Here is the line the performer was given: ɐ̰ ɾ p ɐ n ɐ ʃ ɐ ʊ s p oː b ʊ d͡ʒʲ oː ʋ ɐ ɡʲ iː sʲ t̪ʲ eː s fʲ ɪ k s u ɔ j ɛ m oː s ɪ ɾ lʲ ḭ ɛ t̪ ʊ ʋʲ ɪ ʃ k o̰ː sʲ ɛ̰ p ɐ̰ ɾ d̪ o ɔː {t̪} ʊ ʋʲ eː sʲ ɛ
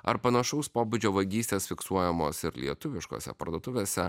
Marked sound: correct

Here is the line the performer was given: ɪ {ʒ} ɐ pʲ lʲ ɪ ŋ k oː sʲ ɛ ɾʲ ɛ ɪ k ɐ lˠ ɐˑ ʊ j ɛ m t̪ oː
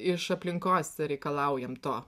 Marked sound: incorrect: ʃ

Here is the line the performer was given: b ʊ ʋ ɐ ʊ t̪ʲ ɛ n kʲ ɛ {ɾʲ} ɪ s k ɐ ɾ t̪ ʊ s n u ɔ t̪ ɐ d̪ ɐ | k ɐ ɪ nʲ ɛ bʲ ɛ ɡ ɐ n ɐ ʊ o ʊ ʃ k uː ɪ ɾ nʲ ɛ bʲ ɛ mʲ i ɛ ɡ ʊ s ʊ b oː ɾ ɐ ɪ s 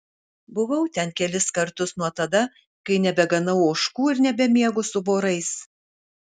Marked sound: incorrect: lʲ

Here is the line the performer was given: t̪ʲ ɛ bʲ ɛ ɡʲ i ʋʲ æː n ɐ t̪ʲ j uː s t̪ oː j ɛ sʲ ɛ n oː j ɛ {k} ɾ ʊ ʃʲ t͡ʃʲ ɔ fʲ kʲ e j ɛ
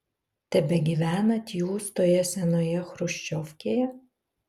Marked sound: incorrect: x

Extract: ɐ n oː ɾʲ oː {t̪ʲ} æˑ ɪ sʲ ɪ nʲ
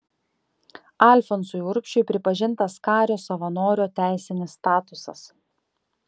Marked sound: correct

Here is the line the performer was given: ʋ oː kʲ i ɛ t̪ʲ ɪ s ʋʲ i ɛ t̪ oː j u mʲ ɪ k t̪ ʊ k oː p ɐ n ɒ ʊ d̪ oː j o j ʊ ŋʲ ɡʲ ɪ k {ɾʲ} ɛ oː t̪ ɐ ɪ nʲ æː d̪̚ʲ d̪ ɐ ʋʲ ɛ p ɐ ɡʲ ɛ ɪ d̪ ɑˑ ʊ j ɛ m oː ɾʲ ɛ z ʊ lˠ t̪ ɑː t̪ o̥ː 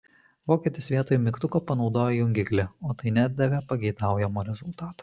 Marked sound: incorrect: lʲ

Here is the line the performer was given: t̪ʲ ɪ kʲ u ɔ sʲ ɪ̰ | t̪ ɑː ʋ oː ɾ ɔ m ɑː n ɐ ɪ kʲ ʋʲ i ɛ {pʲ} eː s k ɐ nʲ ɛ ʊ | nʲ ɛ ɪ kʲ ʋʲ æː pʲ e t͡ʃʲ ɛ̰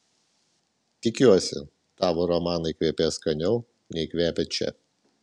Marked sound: correct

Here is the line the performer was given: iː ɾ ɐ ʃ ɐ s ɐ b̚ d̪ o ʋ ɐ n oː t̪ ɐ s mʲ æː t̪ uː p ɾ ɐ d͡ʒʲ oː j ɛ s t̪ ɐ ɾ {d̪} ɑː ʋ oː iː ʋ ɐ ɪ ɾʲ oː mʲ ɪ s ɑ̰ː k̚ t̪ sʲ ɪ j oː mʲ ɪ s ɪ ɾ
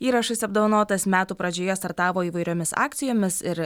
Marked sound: incorrect: t̪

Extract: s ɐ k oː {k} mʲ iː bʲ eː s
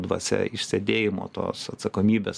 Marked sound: incorrect: none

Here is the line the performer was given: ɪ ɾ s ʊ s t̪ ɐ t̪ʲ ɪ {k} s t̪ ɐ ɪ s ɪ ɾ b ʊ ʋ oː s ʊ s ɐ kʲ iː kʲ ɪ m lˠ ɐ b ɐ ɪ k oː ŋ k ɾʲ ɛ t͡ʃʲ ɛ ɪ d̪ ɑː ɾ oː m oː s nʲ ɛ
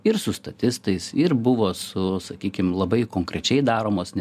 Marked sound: incorrect: none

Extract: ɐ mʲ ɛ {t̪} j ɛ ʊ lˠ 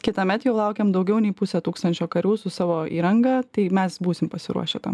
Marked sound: correct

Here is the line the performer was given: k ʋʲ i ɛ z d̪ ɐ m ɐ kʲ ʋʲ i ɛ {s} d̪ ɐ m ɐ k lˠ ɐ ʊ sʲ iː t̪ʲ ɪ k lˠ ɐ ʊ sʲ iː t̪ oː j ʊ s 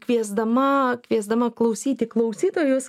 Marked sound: incorrect: z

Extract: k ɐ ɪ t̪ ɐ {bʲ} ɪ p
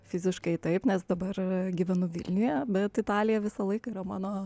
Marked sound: incorrect: none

